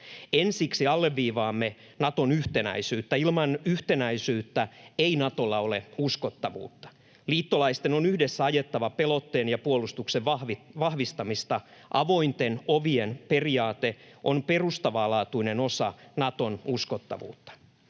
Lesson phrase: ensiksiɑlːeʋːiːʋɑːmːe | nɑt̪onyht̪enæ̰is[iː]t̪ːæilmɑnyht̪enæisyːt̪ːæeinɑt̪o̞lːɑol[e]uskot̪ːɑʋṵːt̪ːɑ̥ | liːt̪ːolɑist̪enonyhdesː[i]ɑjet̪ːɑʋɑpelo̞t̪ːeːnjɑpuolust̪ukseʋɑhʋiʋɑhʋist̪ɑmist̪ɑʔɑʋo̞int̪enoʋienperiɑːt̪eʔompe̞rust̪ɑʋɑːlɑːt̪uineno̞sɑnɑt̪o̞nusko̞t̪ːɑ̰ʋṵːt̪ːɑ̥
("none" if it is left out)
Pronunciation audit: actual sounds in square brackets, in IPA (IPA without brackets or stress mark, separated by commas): yː, e, æ